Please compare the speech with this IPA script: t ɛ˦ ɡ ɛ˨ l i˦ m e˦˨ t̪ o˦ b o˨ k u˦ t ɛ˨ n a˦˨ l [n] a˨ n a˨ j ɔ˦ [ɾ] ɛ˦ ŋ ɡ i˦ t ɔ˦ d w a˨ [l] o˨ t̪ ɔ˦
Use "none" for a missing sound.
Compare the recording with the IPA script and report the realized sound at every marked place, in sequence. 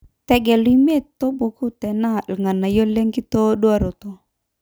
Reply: ŋ, l, ɾ

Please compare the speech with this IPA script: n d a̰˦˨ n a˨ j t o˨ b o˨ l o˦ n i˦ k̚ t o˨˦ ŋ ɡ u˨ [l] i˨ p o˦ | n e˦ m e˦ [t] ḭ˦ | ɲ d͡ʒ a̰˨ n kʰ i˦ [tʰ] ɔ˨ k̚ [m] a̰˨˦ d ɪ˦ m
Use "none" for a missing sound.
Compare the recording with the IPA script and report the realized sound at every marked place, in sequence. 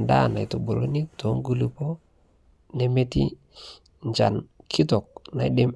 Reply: l, t, t, n

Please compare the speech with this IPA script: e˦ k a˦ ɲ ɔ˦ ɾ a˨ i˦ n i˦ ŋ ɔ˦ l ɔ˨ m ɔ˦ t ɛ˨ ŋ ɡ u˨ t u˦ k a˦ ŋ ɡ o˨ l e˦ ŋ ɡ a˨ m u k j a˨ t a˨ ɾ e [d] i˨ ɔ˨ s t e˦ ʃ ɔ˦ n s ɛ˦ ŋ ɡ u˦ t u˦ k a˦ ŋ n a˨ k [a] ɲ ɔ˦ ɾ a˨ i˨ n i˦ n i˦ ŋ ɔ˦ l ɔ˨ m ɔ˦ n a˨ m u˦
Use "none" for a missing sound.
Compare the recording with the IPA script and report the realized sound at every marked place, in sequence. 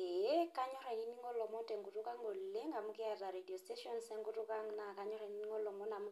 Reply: d, a

